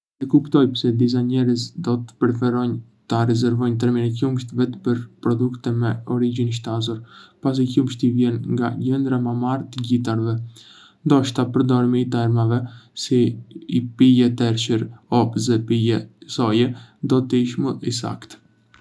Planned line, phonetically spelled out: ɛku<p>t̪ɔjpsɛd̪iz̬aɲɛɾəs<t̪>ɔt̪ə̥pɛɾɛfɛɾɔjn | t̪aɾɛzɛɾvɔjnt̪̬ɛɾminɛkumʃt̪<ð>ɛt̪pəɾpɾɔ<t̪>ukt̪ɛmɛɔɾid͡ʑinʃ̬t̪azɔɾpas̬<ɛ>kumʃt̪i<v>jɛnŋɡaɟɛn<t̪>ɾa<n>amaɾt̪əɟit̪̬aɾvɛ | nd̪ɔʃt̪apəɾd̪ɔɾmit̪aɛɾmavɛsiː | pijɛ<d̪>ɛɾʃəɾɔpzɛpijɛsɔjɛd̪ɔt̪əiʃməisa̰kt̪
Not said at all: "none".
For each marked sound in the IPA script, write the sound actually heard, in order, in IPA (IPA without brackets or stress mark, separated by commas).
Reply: p, d̪, v, d̪, i, v, d̪, m, t̪